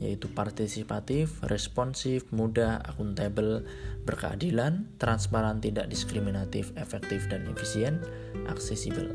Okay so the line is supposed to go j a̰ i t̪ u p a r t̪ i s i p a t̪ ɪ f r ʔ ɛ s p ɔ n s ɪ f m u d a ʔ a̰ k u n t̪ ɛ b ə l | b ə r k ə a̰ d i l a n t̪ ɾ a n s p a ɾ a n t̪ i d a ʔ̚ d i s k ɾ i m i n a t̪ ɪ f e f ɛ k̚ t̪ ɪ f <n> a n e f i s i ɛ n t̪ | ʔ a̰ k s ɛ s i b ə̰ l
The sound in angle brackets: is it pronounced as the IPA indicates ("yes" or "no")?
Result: no